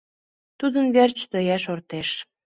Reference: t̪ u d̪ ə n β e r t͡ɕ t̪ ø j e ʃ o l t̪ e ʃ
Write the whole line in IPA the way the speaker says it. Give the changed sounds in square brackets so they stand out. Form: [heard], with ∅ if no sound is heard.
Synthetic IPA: t̪ u d̪ ə n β e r t͡ɕ t̪ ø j [æ] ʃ o [r] t̪ e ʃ